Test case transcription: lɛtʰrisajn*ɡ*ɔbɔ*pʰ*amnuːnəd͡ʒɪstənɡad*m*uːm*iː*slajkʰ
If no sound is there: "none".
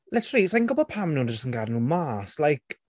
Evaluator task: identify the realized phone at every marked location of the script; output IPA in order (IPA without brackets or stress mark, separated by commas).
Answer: ɡ, pʰ, n, aː